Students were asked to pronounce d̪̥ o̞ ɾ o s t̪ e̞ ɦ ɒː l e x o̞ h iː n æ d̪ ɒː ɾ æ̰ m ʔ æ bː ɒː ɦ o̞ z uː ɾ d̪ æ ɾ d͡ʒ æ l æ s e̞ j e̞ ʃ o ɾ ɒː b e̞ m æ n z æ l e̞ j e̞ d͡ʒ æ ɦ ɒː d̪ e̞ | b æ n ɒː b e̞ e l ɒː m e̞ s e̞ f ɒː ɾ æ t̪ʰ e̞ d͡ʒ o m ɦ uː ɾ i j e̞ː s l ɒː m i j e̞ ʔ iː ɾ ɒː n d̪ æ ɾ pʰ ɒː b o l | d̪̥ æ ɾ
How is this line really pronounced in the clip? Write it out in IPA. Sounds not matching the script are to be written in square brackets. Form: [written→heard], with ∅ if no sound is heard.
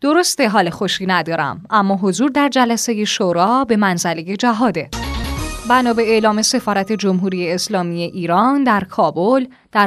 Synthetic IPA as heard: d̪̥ o̞ ɾ o s t̪ e̞ ɦ ɒː l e x o̞ [h→ʃ] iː n æ d̪ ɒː ɾ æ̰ m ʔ æ [bː→mː] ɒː ɦ o̞ z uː ɾ d̪ æ ɾ d͡ʒ æ l æ s e̞ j e̞ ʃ o ɾ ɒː b e̞ m æ n z æ l e̞ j e̞ d͡ʒ æ ɦ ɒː d̪ e̞ | b æ n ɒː b e̞ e l ɒː m e̞ s e̞ f ɒː ɾ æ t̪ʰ e̞ d͡ʒ o m ɦ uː ɾ i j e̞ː s l ɒː m i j e̞ ʔ iː ɾ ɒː n d̪ æ ɾ [pʰ→kʰ] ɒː b o l | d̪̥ æ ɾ